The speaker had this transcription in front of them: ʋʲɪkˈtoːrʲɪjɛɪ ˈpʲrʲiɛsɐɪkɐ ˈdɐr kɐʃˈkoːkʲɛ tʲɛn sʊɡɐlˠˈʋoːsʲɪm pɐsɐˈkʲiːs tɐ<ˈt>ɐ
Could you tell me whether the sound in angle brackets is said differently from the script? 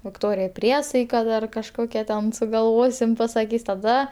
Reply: yes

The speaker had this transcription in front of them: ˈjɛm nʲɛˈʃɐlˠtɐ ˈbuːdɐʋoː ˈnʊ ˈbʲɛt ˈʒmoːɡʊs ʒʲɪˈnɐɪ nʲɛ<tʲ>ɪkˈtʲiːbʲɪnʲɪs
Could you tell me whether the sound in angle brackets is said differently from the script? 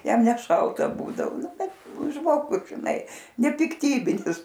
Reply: yes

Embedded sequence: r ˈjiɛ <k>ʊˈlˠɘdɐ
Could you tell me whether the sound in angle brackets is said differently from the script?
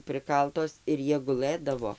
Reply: yes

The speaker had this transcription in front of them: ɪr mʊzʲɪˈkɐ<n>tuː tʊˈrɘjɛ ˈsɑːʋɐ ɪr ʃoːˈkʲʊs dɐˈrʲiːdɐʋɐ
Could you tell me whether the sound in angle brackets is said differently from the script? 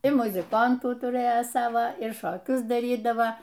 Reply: no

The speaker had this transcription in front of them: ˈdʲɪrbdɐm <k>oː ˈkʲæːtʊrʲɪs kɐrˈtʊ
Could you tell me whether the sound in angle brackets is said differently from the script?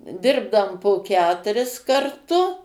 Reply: yes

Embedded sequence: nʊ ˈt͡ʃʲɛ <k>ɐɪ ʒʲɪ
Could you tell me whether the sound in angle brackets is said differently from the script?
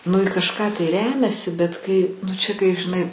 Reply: no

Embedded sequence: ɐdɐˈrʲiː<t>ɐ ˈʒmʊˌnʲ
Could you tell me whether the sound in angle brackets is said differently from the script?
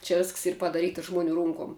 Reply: no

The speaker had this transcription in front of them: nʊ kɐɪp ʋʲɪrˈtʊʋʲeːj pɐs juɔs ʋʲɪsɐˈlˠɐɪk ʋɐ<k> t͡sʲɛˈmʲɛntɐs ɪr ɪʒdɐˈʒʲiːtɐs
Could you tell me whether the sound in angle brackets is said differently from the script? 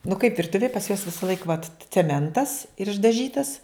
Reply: yes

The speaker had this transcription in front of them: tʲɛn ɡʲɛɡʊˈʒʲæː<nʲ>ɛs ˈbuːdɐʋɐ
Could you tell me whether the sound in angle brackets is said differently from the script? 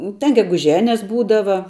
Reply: no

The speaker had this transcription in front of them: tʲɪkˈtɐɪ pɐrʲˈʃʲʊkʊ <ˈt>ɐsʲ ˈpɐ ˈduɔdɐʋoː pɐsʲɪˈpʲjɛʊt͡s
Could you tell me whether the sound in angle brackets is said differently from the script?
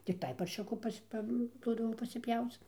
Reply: yes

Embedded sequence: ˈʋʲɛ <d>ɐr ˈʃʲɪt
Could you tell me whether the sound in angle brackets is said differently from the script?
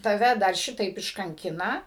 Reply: no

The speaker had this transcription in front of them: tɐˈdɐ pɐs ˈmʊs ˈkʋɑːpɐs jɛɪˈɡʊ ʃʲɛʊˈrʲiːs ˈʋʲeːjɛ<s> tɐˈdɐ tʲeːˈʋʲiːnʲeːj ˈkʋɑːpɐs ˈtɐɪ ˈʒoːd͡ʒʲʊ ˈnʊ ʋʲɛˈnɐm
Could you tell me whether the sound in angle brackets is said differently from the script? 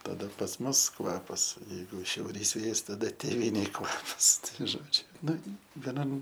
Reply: no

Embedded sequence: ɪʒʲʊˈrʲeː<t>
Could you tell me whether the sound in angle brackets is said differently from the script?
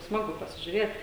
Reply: no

